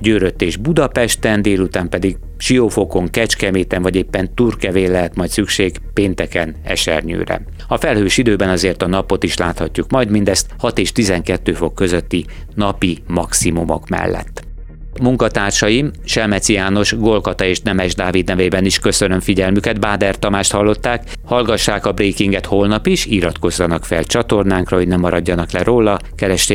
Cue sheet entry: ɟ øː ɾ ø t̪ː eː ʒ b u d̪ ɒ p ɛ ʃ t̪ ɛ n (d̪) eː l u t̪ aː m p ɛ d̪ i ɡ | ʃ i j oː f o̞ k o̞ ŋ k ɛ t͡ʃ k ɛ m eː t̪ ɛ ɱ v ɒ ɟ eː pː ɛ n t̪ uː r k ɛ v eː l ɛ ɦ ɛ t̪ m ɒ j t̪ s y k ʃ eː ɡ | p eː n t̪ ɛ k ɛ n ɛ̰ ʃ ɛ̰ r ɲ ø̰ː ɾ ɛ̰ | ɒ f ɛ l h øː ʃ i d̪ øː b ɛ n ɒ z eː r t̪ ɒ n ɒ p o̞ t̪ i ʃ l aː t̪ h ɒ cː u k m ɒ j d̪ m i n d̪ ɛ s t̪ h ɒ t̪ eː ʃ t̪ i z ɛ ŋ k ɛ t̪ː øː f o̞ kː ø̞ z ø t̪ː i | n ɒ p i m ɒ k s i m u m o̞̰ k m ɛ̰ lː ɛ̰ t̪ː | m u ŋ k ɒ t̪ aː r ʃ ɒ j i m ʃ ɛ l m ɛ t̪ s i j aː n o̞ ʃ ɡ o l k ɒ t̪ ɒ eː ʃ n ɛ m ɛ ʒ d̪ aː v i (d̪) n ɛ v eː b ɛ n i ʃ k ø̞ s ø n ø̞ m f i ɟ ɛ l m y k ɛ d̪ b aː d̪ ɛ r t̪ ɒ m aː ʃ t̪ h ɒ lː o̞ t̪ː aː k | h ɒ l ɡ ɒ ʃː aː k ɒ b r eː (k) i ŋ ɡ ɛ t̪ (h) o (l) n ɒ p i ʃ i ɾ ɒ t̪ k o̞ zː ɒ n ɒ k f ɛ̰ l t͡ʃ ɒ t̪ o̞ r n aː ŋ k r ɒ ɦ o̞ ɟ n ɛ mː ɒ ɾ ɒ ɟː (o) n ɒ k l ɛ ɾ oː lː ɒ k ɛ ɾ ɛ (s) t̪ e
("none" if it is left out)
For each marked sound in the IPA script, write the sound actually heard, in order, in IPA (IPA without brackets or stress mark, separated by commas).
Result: d̪, d̪, k, h, l, ɒ, ʃ